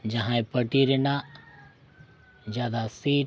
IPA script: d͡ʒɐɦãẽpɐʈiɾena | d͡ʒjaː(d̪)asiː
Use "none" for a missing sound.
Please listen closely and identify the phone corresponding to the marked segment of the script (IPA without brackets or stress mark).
d̪